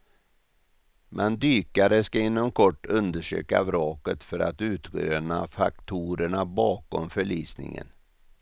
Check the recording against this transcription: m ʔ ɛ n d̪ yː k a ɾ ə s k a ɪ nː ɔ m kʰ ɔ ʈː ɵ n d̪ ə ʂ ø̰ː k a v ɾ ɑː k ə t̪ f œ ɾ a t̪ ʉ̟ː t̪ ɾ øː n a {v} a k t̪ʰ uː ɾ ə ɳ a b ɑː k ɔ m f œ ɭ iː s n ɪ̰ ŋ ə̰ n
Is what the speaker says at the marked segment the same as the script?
no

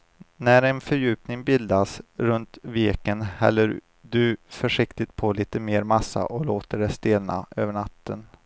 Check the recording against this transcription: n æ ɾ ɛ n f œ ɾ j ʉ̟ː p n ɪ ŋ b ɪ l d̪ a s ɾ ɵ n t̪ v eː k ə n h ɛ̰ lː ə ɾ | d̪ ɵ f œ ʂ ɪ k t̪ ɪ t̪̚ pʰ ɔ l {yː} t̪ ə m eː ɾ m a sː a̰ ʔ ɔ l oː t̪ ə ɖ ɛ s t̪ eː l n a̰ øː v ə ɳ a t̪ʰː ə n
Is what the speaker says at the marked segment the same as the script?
no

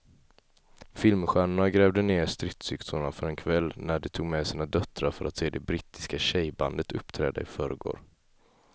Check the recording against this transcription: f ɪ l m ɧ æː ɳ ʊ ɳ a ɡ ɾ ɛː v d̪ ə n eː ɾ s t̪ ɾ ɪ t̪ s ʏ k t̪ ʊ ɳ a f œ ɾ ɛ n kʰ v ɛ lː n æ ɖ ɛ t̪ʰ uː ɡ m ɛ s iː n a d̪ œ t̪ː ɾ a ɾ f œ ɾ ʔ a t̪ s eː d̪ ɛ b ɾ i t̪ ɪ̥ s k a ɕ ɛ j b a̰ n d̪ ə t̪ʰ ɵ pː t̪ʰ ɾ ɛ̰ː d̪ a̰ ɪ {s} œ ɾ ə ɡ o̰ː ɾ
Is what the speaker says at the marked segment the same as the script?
no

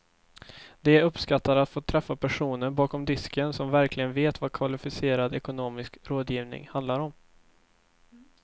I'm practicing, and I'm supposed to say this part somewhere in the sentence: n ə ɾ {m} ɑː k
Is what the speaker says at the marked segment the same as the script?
no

